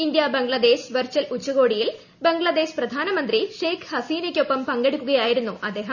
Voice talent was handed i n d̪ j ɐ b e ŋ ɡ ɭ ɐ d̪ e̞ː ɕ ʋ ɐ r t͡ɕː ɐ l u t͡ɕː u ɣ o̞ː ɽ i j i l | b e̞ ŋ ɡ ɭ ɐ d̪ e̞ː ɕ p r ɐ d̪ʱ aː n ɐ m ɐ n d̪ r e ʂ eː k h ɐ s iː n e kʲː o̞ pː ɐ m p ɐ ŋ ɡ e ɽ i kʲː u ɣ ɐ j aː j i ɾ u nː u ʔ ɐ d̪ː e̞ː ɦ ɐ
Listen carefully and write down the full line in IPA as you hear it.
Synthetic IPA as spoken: i n d̪ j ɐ b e ŋ ɡ ɭ ɐ d̪ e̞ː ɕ ʋ ɐ r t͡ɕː ɐ l u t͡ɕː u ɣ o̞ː ɽ i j i l | b e̞ ŋ ɡ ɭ ɐ d̪ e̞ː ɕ p r ɐ d̪ʱ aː n ɐ m ɐ n d̪ r i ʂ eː k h ɐ s iː n e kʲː o̞ pː ɐ m p ɐ ŋ ɡ e ɽ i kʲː u ɣ ɐ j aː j i ɾ u nː u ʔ ɐ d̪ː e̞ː ɦ ɐ